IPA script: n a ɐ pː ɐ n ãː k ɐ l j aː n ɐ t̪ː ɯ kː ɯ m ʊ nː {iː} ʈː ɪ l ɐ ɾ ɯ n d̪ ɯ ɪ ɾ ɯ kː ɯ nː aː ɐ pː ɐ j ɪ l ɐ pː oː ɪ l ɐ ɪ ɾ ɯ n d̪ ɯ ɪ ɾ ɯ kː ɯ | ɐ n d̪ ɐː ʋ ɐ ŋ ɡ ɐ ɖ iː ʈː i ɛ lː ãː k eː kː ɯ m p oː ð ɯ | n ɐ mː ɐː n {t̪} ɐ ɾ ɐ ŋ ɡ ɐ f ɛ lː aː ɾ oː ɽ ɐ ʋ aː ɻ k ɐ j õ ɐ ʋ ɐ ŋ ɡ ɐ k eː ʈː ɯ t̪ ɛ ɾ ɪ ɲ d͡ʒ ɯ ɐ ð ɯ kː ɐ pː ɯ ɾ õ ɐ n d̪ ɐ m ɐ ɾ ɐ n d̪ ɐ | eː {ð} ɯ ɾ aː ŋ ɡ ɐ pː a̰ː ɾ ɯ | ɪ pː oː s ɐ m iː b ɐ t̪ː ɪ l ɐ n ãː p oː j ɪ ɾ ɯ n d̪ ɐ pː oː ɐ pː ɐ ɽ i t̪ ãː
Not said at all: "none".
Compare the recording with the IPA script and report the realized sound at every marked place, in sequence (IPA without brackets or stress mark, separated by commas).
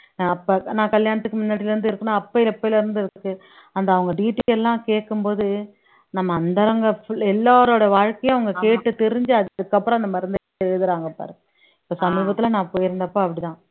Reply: aː, d̪, ð